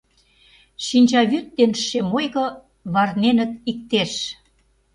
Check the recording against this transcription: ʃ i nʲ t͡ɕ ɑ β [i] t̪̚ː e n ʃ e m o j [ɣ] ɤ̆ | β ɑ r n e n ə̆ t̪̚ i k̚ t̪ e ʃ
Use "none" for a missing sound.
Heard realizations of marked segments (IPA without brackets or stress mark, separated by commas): y, ɣ